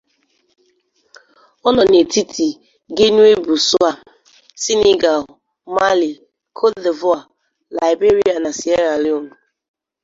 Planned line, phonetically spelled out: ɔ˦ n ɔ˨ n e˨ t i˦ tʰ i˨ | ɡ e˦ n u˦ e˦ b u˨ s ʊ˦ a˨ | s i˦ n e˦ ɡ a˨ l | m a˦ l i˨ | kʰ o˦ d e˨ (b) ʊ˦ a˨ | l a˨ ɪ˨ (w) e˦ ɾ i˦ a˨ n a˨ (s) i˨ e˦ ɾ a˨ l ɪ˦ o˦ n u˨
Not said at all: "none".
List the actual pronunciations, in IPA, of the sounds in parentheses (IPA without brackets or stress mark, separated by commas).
v, b, s